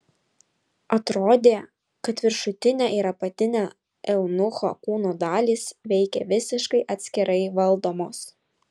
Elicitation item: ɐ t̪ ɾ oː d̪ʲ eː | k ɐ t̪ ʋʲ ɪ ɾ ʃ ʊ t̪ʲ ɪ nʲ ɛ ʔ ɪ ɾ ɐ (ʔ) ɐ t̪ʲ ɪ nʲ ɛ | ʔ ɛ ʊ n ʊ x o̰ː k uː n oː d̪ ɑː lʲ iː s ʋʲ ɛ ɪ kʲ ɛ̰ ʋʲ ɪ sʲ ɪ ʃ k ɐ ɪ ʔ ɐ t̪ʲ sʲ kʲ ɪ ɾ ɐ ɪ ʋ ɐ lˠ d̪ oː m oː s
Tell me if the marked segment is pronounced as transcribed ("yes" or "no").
no